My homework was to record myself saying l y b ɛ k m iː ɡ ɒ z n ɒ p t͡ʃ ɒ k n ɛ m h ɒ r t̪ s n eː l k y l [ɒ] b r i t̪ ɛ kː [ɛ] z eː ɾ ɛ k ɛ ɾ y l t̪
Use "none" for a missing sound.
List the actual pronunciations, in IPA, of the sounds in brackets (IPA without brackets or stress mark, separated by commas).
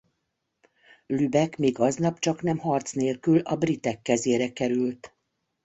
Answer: ɒ, ɛ